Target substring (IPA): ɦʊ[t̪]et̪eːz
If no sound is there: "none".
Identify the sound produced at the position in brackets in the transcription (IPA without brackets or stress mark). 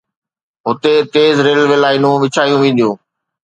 t̪